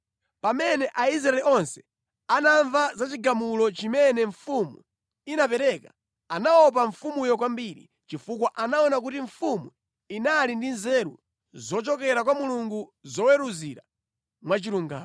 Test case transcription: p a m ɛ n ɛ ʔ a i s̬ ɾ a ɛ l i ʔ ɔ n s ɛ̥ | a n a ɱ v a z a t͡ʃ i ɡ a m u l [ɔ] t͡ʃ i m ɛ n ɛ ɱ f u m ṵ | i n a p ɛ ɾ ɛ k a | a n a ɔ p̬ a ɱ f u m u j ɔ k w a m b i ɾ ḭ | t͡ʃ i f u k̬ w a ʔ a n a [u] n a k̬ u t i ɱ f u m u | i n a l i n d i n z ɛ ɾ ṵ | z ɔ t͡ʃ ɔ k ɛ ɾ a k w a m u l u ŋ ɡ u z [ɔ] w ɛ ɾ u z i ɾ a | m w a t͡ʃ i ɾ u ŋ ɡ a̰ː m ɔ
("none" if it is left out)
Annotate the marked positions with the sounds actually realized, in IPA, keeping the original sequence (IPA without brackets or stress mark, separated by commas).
ɔ, ɔ, ɔ